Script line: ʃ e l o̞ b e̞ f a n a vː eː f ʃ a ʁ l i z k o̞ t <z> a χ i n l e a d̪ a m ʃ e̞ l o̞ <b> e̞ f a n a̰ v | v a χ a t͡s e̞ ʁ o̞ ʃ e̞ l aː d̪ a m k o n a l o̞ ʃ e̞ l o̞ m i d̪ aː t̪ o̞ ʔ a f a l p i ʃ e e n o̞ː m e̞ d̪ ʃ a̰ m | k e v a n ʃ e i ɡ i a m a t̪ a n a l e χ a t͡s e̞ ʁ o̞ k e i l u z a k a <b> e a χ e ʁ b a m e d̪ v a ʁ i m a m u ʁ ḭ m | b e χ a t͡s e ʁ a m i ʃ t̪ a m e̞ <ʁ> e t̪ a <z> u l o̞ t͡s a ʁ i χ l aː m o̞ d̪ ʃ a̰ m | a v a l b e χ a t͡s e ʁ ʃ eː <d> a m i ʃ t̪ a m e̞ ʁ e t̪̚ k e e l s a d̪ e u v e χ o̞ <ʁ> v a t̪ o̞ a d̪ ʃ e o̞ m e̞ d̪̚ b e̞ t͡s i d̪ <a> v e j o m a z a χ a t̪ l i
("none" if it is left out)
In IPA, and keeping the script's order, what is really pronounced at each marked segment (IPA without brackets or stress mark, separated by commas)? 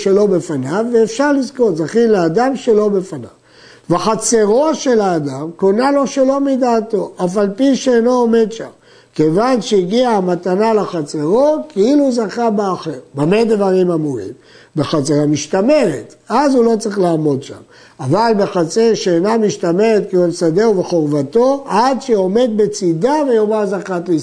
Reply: z, b, b, ʁ, z, n, ʁ, a